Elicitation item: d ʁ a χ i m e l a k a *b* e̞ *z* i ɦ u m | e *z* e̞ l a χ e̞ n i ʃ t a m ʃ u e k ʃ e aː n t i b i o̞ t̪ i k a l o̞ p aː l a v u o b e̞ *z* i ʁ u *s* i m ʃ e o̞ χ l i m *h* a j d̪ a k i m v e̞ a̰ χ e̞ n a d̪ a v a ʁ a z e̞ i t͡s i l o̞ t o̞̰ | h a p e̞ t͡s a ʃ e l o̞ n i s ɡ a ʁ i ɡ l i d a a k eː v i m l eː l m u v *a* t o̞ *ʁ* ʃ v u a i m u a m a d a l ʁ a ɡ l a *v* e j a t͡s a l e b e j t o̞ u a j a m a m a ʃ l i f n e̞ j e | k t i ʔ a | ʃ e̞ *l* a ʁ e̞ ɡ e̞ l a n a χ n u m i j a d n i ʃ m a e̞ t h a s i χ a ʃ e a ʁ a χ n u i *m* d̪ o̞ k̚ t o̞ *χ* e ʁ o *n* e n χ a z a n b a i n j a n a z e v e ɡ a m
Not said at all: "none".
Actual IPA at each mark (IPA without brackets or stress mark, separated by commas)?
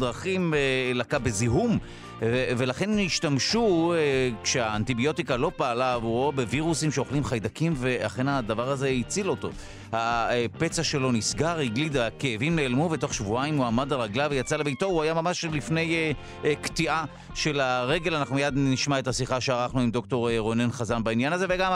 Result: b, z, v, v, s, χ, e, χ, v, l, m, ʁ, n